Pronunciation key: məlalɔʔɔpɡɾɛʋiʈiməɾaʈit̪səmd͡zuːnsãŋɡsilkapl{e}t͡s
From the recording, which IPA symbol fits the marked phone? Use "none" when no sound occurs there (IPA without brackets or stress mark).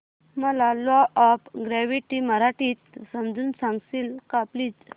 i